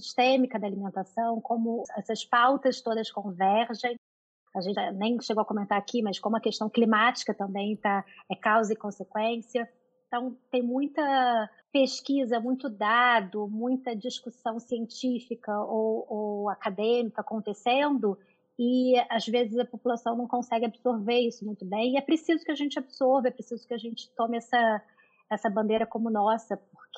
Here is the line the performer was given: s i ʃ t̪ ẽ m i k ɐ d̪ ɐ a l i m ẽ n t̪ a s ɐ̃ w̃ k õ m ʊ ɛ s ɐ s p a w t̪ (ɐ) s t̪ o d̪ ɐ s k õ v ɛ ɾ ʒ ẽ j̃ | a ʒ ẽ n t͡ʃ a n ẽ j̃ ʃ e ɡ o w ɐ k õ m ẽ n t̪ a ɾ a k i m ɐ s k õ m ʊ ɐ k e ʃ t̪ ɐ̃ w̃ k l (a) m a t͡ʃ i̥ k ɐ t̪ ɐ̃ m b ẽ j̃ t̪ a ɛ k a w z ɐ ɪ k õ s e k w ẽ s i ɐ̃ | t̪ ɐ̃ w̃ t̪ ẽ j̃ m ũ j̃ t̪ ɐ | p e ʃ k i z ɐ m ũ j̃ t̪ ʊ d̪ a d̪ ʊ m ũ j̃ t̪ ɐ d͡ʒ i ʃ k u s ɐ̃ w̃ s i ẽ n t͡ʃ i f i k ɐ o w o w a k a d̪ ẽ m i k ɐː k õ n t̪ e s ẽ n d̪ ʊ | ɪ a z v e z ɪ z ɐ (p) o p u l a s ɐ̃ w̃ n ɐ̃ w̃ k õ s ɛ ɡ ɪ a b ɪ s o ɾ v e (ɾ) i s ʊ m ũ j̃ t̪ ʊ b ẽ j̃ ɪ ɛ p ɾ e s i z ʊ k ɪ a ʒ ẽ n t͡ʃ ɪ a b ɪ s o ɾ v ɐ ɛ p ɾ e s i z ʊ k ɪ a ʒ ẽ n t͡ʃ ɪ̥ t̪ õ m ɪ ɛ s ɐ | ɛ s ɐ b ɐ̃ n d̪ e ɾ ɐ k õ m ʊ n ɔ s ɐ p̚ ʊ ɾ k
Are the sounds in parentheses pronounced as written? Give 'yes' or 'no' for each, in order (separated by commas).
yes, no, yes, yes